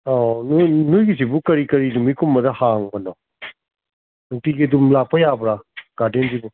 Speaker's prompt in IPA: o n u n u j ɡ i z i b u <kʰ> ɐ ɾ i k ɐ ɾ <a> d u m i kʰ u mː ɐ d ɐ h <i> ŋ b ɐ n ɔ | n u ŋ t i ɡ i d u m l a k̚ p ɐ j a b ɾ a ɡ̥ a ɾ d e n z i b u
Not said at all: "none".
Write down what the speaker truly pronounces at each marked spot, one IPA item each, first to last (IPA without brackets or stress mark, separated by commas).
k, i, a